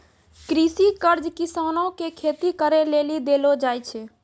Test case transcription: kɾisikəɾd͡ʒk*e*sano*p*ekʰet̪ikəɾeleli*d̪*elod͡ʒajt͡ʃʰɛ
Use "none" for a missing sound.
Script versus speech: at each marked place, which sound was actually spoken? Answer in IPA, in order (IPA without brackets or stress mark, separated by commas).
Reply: i, k, d̪